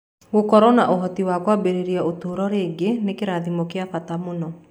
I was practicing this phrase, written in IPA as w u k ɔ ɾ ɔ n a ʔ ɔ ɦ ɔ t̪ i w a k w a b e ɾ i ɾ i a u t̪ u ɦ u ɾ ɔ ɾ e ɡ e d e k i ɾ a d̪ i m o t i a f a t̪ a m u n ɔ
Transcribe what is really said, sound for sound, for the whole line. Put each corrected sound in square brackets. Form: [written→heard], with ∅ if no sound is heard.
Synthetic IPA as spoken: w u k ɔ ɾ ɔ n a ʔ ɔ ɦ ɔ t̪ i w a k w a b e ɾ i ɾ i a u t̪ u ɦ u ɾ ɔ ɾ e ɡ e [d→n] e k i ɾ a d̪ i m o [t→k] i a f a t̪ a m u n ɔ